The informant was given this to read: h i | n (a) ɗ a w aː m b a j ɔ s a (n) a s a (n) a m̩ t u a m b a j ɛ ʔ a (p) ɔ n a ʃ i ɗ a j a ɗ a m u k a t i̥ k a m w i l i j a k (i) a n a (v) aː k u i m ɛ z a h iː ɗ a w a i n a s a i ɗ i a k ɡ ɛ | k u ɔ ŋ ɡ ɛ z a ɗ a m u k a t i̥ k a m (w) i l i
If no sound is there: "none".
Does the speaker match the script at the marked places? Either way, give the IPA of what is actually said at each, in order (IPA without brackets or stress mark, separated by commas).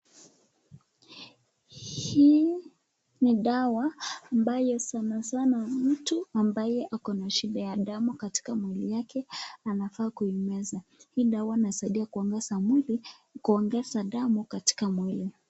i, n, n, k, ɛ, f, w